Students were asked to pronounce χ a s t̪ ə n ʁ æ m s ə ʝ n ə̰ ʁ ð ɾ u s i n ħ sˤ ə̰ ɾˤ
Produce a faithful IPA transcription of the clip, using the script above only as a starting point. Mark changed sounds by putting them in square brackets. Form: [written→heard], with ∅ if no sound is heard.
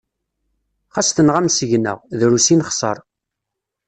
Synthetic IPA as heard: χ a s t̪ ə n ʁ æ m s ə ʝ n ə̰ ʁ ð ɾ u s i n [ħ→χ] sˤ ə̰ ɾˤ